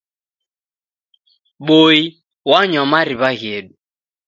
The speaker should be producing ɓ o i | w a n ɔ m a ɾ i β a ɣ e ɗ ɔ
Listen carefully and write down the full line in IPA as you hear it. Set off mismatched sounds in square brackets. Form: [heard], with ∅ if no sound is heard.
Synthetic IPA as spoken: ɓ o i | w a [ɲ] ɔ m a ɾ i β a ɣ e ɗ [u]